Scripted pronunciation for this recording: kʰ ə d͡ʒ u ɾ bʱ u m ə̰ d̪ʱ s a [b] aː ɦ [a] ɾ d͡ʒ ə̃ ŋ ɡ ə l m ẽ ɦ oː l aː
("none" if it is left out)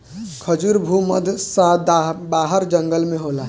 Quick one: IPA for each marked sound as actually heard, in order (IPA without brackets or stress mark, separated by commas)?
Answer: b, ə